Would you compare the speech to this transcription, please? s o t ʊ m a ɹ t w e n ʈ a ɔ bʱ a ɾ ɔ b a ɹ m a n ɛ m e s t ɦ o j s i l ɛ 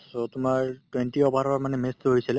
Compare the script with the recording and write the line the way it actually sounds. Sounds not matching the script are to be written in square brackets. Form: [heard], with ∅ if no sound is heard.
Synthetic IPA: s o t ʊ m a ɹ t w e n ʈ [i] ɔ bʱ a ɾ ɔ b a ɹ m a n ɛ m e s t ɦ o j s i l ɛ